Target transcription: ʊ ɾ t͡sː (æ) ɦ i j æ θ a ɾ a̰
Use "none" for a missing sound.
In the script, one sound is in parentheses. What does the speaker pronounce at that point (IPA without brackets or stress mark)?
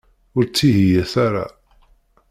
i